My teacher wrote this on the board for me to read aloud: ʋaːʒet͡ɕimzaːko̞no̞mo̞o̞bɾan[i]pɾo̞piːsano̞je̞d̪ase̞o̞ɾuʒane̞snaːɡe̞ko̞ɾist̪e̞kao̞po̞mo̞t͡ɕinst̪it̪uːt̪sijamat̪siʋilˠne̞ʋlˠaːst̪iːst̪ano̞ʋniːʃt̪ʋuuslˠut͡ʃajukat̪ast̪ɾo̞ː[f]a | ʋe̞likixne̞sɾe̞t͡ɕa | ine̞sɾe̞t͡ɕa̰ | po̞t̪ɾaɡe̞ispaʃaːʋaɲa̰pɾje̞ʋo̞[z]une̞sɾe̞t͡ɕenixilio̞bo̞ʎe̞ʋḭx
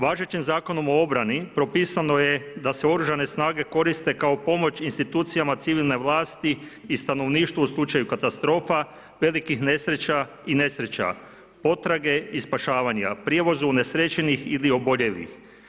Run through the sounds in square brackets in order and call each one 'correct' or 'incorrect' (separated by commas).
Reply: correct, correct, correct